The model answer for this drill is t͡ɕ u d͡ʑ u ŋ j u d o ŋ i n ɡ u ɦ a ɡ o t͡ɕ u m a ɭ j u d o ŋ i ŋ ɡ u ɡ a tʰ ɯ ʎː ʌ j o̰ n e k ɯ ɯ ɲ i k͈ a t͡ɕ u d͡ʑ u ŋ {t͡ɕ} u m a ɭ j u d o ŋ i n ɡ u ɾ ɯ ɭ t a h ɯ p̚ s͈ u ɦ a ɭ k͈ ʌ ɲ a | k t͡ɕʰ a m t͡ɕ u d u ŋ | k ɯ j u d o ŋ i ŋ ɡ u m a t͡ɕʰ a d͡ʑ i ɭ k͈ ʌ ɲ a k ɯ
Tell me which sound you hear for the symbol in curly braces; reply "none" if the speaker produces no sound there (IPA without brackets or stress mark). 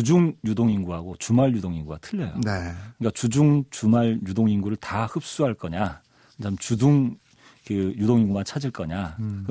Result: t͡ɕ